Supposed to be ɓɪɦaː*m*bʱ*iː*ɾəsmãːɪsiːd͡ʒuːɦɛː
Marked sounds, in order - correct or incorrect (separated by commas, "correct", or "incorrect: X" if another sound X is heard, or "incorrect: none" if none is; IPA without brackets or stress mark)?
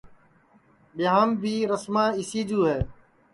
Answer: correct, correct